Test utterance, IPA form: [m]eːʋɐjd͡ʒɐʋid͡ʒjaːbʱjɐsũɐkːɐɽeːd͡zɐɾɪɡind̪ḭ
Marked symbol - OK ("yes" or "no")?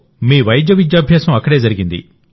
yes